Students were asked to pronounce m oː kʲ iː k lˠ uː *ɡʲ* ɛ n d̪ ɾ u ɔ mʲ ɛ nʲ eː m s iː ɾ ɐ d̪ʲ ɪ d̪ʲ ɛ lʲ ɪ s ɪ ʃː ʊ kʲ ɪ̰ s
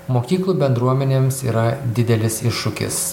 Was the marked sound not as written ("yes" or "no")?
yes